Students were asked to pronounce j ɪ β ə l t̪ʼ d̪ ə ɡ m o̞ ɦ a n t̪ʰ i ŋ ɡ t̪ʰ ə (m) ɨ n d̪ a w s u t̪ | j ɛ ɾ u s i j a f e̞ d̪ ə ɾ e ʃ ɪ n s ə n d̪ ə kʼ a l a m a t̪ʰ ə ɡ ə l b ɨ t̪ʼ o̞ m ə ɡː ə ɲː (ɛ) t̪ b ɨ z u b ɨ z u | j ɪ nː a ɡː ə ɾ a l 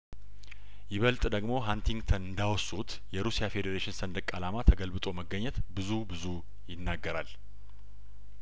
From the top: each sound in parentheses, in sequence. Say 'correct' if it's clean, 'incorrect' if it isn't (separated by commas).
incorrect, correct